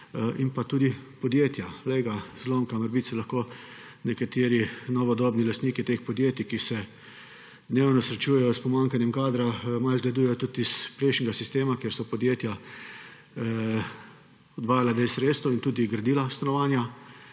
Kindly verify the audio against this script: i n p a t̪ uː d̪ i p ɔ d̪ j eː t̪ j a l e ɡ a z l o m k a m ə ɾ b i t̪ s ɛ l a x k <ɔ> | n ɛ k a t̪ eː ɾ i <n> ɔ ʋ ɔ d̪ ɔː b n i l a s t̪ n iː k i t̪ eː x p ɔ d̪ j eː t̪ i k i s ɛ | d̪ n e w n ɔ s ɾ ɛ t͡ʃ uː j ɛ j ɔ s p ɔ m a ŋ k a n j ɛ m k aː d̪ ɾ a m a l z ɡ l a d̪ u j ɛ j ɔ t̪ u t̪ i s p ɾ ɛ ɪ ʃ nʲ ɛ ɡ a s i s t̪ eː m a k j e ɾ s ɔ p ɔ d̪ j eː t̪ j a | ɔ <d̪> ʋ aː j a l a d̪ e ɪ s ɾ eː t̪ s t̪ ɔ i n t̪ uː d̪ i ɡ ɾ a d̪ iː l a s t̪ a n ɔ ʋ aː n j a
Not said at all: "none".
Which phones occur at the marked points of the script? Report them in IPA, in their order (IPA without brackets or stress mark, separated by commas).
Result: o, n, d̪